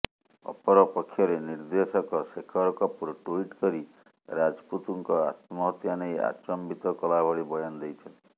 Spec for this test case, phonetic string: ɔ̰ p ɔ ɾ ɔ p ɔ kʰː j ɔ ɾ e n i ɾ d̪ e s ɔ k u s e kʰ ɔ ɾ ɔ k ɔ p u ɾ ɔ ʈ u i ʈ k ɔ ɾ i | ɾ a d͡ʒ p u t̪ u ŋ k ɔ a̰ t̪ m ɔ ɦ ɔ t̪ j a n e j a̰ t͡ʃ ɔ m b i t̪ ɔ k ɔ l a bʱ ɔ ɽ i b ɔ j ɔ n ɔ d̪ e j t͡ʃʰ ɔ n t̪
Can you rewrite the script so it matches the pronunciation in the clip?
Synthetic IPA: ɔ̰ p ɔ ɾ ɔ p ɔ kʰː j ɔ ɾ e n i ɾ d̪ e s ɔ k ɔ s e kʰ ɔ ɾ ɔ k ɔ p u ɾ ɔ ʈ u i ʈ k ɔ ɾ i | ɾ a d͡ʒ p u t̪ u ŋ k ɔ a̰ t̪ m ɔ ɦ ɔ t̪ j a n e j a̰ t͡ʃ ɔ m b i t̪ ɔ k ɔ l a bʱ ɔ ɽ i b ɔ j ɔ n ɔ d̪ e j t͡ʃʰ ɔ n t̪

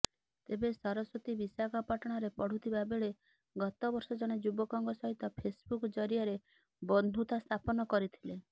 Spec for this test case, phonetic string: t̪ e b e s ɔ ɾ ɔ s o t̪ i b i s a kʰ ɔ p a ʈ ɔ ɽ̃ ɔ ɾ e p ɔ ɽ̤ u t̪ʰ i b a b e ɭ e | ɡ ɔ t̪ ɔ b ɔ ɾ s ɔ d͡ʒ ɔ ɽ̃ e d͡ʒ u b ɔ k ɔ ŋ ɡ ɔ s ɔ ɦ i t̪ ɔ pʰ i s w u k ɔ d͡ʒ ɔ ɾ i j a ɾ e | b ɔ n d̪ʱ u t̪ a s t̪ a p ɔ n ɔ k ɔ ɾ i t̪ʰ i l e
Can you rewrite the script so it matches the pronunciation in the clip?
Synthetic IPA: t̪ e b e s ɔ ɾ ɔ s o t̪ i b i s a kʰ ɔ p a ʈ ɔ ɽ̃ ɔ ɾ e p ɔ ɽ̤ u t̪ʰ i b a b e ɭ e | ɡ ɔ t̪ ɔ b ɔ ɾ s ɔ d͡ʒ ɔ ɽ̃ e d͡ʒ u b ɔ k ɔ ŋ ɡ ɔ s ɔ ɦ i t̪ ɔ pʰ e s b u k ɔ d͡ʒ ɔ ɾ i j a ɾ e | b ɔ n d̪ʱ u t̪ a s t̪ʰ a p ɔ n ɔ k ɔ ɾ i t̪ʰ i l e

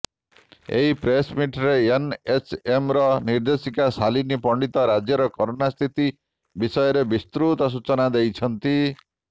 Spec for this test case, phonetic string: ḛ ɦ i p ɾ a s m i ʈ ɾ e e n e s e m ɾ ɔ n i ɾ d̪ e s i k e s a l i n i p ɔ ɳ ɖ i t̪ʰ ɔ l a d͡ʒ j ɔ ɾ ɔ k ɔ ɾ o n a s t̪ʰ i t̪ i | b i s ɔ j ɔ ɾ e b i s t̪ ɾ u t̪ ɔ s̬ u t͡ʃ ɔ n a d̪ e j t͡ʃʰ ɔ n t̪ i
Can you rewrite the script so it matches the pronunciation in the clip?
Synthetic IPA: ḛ ɦ i p ɾ e s m i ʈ ɾ e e n e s e m ɾ ɔ n i ɾ d̪ e s i k a s a l i n i p ɔ ɳ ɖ i t̪ ɔ ɾ a d͡ʒ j ɔ ɾ ɔ k ɔ ɾ o n a s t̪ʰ i t̪ i | b i s ɔ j ɔ ɾ e b i s t̪ ɾ u t̪ ɔ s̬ u t͡ʃ ɔ n a d̪ e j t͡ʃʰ ɔ n t̪ i

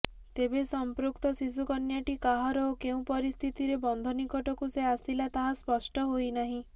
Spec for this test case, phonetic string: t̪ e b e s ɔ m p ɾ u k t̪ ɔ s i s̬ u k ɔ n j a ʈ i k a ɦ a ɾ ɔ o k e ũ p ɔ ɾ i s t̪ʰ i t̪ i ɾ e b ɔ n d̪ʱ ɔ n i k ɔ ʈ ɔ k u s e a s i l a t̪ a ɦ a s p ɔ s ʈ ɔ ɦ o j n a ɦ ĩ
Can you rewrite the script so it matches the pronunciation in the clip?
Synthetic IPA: t̪ e b e s ɔ m p ɾ u k t̪ ɔ s i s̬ u k ɔ n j a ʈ i k a ɦ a ɾ ɔ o k e ũ p ɔ ɾ i s t̪ʰ i t̪ i ɾ e b ɔ n d̪ʱ ɔ n i k ɔ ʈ ɔ k u s e a s i l a t̪ a ɦ a s p ɔ s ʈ ɔ ɦ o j n a ɦ ĩ

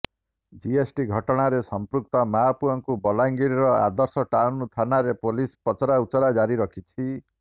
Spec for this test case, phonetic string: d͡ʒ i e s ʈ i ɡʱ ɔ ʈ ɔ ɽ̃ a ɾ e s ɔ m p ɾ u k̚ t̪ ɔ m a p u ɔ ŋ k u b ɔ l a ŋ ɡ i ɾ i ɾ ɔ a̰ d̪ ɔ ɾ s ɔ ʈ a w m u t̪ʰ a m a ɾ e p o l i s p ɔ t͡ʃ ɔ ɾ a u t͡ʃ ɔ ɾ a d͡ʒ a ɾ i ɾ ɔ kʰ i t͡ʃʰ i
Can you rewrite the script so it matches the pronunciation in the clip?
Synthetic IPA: d͡ʒ i e s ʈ i ɡʱ ɔ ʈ ɔ ɽ̃ a ɾ e s ɔ m p ɾ u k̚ t̪ ɔ m a p u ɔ ŋ k u b ɔ l a ŋ ɡ i ɾ i ɾ ɔ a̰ d̪ ɔ ɾ s ɔ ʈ a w n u t̪ʰ a n a ɾ e p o l i s p ɔ t͡ʃ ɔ ɾ a u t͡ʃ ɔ ɾ a d͡ʒ a ɾ i ɾ ɔ kʰ i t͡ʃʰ i

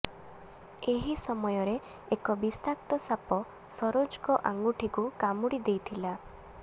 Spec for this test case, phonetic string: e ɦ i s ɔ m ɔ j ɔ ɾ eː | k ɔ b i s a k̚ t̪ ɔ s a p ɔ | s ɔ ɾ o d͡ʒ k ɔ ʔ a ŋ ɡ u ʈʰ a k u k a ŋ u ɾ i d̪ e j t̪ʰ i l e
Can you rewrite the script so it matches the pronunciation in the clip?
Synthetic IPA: e ɦ i s ɔ m ɔ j ɔ ɾ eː | k ɔ b i s a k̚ t̪ ɔ s a p ɔ | s ɔ ɾ o d͡ʒ k ɔ ʔ a ŋ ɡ u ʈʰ i k u k a m u ɽ i d̪ e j t̪ʰ i l a

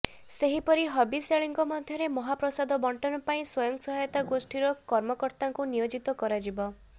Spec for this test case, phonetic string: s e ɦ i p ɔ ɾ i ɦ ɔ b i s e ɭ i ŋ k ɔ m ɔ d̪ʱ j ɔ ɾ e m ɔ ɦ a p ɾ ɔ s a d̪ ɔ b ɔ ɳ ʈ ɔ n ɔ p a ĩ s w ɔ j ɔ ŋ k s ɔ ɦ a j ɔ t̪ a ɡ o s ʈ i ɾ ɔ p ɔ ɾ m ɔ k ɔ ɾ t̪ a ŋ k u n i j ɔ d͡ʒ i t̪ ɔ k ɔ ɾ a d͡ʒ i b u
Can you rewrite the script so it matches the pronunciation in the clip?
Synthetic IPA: s e ɦ i p ɔ ɾ i ɦ ɔ b i s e ɭ i ŋ k ɔ m ɔ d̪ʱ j ɔ ɾ e m ɔ ɦ a p ɾ ɔ s a d̪ ɔ b ɔ ɳ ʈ ɔ n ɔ p a ĩ s w ɔ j ɔ ŋ k s ɔ ɦ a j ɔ t̪ a ɡ o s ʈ i ɾ ɔ k ɔ ɾ m ɔ k ɔ ɾ t̪ a ŋ k u n i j o d͡ʒ i t̪ ɔ k ɔ ɾ a d͡ʒ i b ɔ

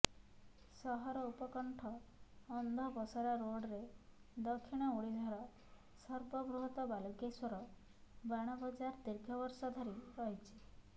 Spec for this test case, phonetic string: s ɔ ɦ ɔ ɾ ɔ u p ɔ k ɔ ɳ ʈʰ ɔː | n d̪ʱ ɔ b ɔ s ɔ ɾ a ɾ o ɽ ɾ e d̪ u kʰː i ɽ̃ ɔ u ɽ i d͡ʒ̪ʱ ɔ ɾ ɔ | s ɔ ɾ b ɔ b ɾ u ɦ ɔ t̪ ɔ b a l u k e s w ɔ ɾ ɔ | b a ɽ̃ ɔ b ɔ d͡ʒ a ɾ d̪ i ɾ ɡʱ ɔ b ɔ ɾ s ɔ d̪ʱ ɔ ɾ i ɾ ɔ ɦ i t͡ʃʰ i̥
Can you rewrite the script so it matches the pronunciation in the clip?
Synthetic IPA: s ɔ ɦ ɔ ɾ ɔ u p ɔ k ɔ ɳ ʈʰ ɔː | n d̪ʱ ɔ b ɔ s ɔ ɾ a ɾ o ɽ ɾ e d̪ ɔ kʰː i ɽ̃ ɔ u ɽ i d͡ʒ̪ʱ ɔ ɾ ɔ | s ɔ ɾ b ɔ b ɾ u ɦ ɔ t̪ ɔ b a l u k e s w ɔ ɾ ɔ | b a ɽ̃ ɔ b ɔ d͡ʒ a ɾ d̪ i ɾ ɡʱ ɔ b ɔ ɾ s ɔ d̪ʱ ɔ ɾ i ɾ ɔ ɦ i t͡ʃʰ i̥

